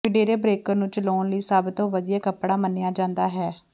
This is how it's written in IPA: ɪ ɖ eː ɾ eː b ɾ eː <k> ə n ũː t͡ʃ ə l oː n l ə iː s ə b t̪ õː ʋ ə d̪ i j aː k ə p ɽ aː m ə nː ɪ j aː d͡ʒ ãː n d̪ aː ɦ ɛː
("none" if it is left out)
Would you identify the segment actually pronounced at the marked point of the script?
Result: k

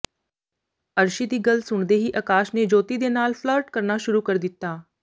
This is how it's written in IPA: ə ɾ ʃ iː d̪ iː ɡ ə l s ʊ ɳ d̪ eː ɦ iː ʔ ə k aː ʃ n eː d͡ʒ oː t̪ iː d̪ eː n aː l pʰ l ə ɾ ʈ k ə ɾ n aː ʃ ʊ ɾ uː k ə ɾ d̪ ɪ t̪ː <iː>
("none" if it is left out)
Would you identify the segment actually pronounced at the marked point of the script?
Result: aː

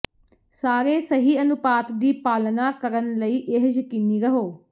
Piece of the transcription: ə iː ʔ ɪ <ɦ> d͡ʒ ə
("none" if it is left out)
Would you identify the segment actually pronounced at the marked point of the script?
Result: ɦ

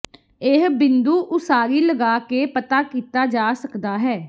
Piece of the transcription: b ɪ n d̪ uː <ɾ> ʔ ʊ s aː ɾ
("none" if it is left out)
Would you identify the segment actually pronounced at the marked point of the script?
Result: none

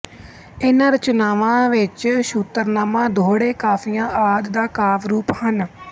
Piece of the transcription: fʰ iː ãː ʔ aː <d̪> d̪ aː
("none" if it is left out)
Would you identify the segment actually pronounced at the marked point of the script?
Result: d̪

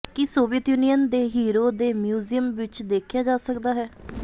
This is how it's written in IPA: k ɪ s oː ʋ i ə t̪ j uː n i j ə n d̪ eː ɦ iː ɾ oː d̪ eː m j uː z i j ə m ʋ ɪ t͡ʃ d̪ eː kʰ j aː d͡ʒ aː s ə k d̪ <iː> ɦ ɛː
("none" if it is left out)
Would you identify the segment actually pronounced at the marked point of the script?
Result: aː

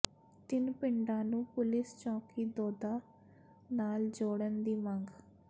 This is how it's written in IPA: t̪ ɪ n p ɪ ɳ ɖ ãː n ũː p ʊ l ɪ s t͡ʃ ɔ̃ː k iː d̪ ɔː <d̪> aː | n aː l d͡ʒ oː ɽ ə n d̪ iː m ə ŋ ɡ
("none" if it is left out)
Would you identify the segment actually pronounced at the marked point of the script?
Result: d̪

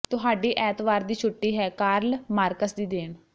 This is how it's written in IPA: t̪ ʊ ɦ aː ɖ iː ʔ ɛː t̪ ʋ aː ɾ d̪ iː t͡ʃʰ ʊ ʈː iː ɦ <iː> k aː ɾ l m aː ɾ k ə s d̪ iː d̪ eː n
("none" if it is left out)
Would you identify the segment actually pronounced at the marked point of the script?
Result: ɛː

